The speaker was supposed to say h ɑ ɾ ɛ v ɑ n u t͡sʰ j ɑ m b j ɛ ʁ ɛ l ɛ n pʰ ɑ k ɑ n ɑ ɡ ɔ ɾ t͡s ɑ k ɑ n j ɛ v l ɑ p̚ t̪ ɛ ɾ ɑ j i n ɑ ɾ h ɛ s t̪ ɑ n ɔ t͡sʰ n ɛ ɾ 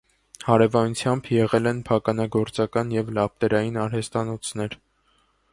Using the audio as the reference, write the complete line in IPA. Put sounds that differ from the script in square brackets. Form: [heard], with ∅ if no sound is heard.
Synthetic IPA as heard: h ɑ ɾ ɛ v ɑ n u t͡sʰ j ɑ m b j ɛ ʁ ɛ l ɛ n pʰ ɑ k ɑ n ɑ ɡ ɔ ɾ t͡s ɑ k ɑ n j ɛ v l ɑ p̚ t̪ ɛ ɾ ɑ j i n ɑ ɾ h ɛ s t̪ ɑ n ɔ t͡sʰ n ɛ ɾ